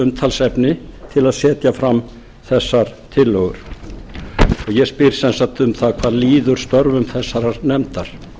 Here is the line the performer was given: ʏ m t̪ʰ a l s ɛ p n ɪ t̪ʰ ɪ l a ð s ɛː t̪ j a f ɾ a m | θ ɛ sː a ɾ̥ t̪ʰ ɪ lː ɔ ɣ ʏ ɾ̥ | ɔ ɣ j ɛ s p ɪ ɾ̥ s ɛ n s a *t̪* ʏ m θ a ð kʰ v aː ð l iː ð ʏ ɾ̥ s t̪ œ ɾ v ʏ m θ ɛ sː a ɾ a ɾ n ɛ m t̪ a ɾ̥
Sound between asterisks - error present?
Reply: no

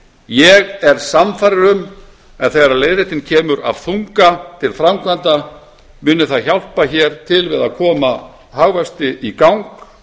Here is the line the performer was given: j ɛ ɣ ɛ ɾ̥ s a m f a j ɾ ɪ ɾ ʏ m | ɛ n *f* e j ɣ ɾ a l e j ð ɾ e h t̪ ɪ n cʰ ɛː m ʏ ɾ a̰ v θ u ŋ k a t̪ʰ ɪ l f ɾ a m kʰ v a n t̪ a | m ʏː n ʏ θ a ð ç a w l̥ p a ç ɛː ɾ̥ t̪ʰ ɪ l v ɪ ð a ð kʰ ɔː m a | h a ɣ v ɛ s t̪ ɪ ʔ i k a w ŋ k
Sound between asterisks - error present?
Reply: yes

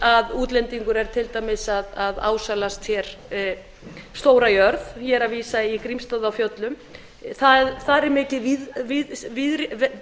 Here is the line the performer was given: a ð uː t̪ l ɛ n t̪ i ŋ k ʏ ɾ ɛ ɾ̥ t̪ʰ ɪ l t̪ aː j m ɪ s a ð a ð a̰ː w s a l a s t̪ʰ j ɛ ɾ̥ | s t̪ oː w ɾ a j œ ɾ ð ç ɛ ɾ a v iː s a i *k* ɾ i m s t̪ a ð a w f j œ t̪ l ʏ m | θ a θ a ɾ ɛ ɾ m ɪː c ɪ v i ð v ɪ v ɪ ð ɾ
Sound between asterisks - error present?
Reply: no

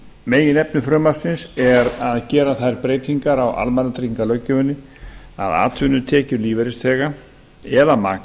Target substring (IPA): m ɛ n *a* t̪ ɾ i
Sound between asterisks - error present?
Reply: no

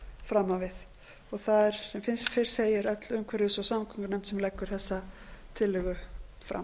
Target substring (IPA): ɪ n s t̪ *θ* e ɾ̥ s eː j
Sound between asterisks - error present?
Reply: yes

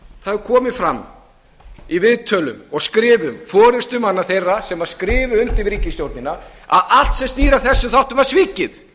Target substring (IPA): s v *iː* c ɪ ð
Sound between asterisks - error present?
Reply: no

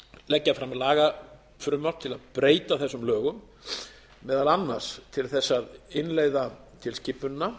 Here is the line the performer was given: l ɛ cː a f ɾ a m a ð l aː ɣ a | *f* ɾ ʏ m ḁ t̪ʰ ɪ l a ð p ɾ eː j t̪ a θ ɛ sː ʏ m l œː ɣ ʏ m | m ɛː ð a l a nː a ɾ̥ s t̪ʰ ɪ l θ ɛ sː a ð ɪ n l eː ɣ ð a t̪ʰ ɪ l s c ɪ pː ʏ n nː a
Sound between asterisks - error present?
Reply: no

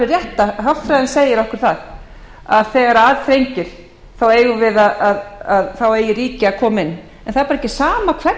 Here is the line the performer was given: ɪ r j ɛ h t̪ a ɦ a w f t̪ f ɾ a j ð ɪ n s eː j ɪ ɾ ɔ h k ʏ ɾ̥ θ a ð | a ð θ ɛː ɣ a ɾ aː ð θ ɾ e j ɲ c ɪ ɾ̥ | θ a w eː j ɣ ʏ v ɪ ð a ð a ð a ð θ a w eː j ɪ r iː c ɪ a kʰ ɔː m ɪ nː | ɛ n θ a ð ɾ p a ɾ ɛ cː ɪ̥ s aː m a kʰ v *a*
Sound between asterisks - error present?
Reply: yes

